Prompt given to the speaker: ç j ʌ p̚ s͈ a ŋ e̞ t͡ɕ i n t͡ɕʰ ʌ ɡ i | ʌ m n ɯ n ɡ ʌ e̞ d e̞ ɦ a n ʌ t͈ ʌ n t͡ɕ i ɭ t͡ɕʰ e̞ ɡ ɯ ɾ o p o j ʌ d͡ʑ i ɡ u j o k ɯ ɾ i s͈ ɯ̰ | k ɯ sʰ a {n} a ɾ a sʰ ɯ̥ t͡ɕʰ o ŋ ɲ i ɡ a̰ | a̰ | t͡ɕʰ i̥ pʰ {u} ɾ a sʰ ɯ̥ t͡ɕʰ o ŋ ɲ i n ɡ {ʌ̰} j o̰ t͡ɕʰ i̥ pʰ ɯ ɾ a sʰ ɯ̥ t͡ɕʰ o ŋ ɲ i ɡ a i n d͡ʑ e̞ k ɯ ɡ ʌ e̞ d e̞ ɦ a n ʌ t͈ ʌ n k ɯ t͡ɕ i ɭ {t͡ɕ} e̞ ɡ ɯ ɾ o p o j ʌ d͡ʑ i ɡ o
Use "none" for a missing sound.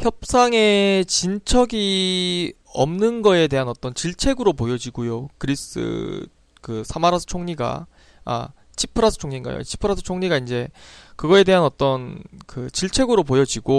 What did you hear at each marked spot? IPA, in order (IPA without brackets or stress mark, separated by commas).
m, ɯ, a̰, t͡ɕʰ